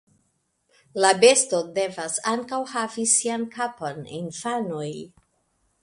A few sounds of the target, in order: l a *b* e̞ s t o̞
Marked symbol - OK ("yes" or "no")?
yes